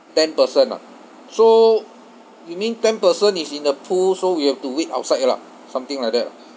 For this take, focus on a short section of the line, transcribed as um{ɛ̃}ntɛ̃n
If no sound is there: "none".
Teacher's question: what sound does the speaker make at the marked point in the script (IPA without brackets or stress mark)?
ĩ